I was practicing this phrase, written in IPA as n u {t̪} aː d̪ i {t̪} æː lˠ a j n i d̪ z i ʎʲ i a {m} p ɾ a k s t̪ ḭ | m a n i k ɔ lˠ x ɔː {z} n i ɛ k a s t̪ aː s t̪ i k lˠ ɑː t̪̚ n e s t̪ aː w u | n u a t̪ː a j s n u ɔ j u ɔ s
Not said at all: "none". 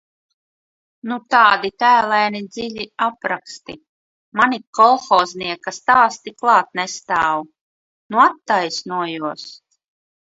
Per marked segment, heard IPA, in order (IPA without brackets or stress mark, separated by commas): t̪, t̪, none, z